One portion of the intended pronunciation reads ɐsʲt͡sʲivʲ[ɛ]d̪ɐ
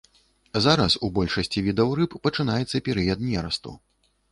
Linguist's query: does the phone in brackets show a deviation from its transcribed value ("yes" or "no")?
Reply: yes